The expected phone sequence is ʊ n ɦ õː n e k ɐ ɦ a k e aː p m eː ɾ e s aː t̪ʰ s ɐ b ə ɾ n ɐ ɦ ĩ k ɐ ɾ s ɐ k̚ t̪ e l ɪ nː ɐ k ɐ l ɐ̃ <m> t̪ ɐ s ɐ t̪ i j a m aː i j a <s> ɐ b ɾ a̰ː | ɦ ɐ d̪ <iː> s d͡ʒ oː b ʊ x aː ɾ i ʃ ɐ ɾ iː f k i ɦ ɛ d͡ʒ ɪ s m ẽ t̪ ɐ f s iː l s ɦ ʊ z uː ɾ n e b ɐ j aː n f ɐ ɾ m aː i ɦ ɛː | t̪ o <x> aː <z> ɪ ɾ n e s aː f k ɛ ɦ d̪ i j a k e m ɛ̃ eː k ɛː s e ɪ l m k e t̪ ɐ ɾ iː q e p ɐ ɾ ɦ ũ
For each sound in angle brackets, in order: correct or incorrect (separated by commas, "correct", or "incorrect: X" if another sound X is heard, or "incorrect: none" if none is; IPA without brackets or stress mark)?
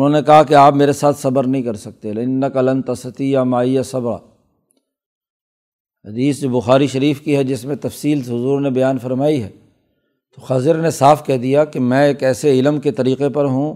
incorrect: n, correct, correct, correct, correct